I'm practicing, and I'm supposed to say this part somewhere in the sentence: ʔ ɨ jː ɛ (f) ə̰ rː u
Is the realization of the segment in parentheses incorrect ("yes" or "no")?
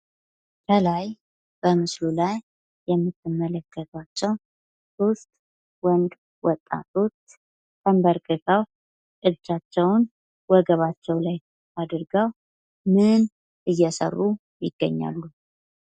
yes